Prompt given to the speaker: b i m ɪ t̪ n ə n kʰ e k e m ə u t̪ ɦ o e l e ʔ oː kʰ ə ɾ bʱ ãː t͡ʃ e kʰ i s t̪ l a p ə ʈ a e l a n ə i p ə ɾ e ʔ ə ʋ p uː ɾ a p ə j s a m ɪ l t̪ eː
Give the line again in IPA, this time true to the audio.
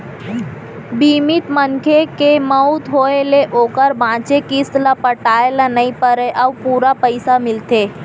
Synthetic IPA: b i m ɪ t̪ m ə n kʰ e k e m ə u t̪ ɦ o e l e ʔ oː k ə ɾ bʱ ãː t͡ʃ e k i s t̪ l a p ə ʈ a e l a n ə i p ə ɾ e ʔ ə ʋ p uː ɾ a p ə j s a m ɪ l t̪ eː

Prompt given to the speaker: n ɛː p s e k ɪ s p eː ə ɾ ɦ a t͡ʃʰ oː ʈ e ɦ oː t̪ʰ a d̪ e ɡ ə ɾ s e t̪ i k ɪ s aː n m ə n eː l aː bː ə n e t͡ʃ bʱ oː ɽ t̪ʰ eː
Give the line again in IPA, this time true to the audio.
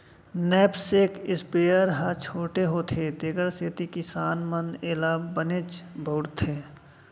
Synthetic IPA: n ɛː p s e k ɪ s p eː ə ɾ ɦ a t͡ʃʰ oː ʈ e ɦ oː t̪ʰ e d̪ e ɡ ə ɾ s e t̪ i k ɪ s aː n m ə n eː l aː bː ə n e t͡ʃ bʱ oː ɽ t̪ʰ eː

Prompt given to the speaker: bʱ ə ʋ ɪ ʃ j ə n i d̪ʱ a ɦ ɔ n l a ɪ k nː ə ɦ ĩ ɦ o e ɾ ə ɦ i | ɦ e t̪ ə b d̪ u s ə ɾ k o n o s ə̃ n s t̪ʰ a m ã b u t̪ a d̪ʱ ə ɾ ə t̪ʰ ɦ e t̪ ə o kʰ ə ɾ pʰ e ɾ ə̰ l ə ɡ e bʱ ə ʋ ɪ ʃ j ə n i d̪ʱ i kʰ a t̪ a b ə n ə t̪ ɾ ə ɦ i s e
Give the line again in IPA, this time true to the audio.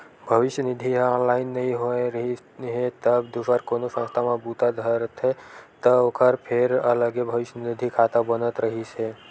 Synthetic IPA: bʱ ə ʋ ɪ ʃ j ə n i d̪ʱ i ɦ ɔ n l a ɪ nː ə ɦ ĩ ɦ o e ɾ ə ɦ i | ɦ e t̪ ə b d̪ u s ə ɾ k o n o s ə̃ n s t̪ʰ a m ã b u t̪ a d̪ʱ ə ɾ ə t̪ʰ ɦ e t̪ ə o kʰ ə ɾ pʰ e ɾ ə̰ l ə ɡ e bʱ ə ʋ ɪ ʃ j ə n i d̪ʱ i kʰ a t̪ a b ə n ə t̪ ɾ ə ɦ i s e

